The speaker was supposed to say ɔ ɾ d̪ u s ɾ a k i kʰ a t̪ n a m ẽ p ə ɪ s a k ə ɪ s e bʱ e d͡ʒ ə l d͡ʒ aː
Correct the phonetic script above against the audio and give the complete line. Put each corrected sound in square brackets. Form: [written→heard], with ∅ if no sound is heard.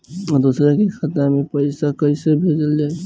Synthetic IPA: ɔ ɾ d̪ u s ɾ a k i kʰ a t̪ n a m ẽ p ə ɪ s a k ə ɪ s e bʱ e d͡ʒ ə l d͡ʒ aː